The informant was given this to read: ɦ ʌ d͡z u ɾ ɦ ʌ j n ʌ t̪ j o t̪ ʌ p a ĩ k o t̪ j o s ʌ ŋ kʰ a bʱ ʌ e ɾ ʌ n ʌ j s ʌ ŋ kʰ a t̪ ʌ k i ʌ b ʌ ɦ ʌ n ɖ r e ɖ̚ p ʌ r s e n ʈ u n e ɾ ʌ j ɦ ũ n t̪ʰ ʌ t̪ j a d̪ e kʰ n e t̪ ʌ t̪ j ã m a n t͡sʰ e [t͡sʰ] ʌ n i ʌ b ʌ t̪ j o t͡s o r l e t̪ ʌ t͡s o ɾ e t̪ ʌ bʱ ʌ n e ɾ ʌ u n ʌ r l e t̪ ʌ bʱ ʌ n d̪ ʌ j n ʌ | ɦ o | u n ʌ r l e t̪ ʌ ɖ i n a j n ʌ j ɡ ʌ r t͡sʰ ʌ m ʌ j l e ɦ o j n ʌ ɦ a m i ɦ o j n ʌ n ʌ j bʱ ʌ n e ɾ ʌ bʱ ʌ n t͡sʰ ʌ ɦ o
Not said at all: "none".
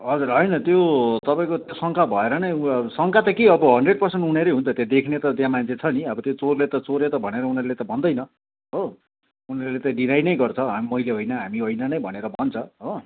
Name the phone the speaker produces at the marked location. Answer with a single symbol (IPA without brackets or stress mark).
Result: t͡sʰ